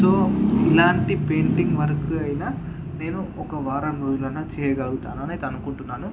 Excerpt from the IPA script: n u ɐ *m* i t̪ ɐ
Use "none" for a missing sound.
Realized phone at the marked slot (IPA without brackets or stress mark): n